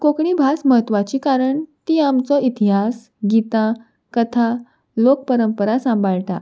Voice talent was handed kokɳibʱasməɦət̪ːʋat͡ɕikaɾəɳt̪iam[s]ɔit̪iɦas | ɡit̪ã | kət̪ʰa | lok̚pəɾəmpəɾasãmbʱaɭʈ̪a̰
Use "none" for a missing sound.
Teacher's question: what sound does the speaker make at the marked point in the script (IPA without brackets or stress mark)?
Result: t͡s